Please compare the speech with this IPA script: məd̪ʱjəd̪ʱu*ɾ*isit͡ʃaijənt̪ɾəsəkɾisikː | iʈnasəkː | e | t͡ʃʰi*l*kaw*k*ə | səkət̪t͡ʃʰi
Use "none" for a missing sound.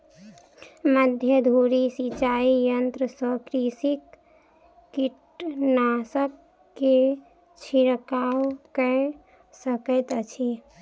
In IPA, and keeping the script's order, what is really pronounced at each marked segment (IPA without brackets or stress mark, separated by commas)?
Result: ɾ, ɾ, k